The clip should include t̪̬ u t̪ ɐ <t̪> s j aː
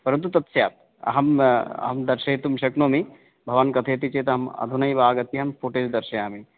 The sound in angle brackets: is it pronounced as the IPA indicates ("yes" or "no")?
yes